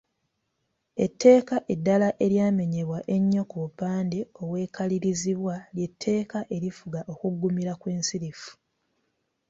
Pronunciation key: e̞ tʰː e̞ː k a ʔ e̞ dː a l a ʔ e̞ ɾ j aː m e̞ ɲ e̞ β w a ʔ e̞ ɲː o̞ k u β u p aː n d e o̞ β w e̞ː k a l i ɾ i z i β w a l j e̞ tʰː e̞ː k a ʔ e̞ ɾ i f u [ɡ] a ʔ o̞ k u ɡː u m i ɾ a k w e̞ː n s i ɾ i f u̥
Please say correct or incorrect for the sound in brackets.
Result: correct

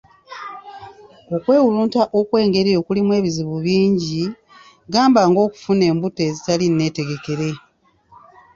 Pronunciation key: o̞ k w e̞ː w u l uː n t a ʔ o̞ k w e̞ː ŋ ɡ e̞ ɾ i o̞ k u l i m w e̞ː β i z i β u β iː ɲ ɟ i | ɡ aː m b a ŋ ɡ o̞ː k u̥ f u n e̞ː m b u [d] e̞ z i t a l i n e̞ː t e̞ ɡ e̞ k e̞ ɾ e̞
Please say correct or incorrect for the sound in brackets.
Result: incorrect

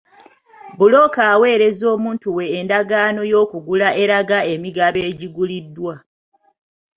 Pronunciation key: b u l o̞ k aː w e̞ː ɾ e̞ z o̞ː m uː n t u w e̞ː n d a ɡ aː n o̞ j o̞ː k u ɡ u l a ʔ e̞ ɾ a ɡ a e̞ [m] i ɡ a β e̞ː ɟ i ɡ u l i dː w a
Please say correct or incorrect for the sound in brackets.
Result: correct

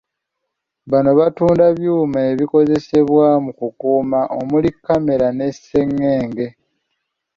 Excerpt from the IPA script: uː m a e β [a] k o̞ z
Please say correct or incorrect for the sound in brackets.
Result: incorrect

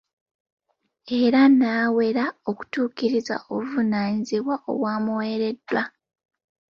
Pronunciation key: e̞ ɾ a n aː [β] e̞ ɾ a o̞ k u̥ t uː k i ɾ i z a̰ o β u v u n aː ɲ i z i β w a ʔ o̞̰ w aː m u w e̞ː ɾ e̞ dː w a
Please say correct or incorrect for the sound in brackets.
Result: incorrect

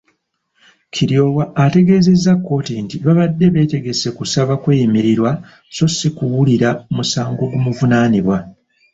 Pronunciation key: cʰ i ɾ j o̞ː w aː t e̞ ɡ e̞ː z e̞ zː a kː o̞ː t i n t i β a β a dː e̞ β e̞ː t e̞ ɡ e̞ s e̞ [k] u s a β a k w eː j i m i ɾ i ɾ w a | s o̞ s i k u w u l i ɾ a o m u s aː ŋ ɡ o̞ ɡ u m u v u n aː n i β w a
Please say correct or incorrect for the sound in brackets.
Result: correct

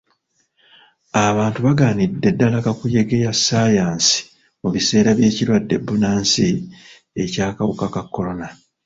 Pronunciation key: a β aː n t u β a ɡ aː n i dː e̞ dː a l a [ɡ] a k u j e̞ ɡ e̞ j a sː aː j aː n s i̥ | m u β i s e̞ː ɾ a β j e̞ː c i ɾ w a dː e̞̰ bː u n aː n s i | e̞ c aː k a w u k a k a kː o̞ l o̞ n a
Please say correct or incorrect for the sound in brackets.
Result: incorrect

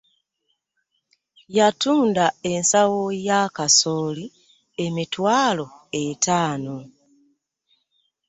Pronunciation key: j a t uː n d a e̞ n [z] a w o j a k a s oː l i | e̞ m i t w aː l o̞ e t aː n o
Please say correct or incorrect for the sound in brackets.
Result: incorrect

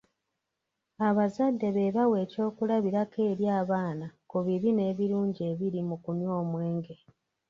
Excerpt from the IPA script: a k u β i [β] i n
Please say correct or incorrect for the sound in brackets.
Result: correct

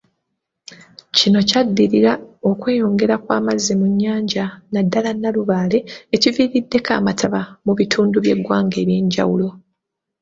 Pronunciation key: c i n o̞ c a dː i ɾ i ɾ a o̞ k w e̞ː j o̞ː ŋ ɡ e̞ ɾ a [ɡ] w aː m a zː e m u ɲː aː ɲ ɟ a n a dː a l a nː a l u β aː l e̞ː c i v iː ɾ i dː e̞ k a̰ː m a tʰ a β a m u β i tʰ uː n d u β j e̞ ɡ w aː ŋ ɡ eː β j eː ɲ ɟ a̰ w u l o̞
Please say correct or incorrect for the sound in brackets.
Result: incorrect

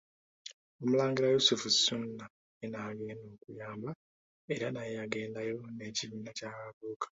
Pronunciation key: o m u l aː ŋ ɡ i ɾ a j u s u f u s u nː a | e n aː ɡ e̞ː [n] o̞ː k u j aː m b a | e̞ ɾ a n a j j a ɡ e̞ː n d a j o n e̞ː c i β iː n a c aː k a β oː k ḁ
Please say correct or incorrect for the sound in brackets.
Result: correct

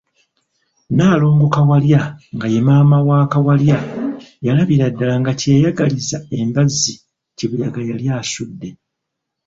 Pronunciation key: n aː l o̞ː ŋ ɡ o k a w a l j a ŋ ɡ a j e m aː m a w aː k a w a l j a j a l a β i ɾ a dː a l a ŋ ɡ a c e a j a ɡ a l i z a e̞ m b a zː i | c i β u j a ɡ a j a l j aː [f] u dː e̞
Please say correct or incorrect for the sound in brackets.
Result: incorrect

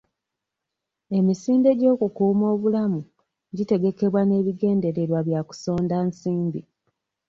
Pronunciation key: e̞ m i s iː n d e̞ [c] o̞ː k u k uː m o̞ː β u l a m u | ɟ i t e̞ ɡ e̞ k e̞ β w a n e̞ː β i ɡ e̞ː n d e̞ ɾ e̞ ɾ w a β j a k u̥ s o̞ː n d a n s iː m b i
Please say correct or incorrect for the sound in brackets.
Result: incorrect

